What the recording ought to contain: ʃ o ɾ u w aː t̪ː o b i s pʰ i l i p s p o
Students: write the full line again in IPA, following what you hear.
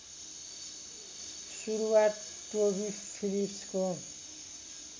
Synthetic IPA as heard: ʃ u ɾ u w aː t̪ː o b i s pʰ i l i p s k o